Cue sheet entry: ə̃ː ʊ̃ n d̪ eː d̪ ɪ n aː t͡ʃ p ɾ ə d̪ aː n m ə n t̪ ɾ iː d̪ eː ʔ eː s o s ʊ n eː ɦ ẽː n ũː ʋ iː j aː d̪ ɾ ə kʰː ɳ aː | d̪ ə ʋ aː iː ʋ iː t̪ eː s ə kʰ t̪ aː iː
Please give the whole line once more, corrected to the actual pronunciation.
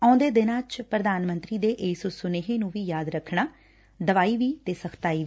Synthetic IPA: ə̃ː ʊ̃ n d̪ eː d̪ ɪ n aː t͡ʃ p ɾ ə d̪ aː n m ə n t̪ ɾ iː d̪ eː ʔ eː s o s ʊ n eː ɦ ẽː n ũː ʋ iː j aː d̪ ɾ ə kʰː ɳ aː | d̪ ə ʋ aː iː ʋ iː t̪ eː s ə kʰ t̪ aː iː